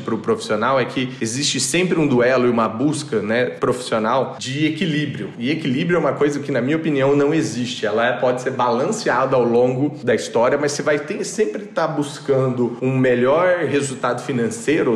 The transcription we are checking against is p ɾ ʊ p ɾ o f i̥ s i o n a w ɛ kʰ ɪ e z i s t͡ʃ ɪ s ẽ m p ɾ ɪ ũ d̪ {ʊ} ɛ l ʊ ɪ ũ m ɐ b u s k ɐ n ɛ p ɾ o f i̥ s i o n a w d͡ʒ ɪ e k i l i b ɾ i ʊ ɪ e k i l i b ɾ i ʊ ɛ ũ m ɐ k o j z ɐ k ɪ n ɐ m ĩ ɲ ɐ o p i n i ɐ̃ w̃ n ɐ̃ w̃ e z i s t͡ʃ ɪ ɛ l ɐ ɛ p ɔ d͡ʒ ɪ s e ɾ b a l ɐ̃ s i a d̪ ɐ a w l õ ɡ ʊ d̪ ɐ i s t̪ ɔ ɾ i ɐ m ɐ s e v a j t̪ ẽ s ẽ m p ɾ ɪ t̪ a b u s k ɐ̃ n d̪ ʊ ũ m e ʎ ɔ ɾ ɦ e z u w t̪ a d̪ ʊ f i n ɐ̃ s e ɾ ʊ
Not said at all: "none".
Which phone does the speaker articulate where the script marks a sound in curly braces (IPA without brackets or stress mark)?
u